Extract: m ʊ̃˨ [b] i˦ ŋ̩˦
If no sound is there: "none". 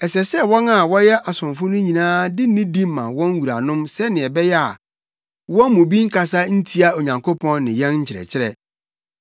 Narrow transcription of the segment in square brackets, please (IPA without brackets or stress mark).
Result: b